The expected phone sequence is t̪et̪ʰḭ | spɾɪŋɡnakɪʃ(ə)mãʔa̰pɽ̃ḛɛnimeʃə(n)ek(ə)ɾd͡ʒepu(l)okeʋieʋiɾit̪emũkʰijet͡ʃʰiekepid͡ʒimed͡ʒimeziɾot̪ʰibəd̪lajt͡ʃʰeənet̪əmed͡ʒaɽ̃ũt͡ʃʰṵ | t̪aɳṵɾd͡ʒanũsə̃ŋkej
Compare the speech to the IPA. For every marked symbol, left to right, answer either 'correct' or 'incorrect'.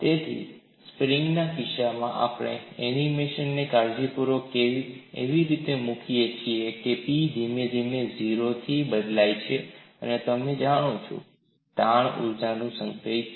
incorrect: a, incorrect: nː, incorrect: a, incorrect: ɾ

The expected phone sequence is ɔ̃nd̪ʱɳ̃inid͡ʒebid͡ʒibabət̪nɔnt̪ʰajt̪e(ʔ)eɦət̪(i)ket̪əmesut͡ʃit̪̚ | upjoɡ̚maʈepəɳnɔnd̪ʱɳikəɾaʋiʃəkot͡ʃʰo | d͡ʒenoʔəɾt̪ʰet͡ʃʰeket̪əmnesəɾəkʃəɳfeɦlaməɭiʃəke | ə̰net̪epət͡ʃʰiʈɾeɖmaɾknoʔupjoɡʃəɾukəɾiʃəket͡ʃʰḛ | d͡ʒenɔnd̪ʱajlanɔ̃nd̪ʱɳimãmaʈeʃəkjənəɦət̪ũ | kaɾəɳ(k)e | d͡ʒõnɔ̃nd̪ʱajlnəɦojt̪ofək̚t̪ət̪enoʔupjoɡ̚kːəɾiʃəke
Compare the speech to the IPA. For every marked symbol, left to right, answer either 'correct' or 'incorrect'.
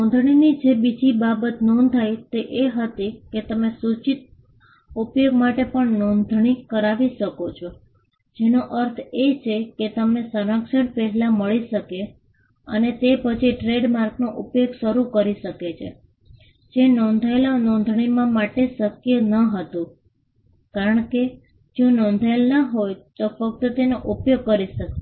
correct, correct, correct

